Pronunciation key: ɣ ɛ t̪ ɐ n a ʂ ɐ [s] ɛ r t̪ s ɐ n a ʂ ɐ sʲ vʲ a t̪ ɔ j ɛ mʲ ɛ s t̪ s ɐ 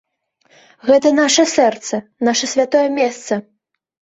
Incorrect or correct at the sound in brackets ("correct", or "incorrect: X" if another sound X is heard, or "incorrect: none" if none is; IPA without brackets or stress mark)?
correct